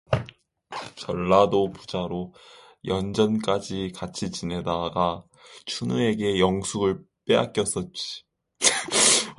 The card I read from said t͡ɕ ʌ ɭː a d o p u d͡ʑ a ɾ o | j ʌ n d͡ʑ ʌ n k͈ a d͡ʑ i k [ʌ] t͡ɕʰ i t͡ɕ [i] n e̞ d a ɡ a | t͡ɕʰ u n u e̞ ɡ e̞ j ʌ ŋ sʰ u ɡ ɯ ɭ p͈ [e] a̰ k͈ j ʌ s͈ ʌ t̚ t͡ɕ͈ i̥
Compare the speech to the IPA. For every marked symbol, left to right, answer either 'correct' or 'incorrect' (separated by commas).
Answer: incorrect, correct, correct